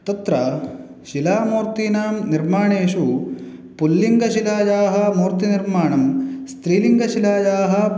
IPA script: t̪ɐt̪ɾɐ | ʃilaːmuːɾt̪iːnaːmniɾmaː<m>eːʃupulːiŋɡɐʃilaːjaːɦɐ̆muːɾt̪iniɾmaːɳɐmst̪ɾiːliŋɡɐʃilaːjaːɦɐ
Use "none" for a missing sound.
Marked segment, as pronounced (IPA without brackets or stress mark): ɳ